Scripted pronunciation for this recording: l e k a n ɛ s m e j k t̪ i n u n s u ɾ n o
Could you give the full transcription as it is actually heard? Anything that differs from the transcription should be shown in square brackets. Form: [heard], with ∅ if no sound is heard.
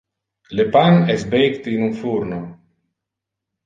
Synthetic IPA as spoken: l e [p] a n ɛ s [b] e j k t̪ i n u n [f] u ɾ n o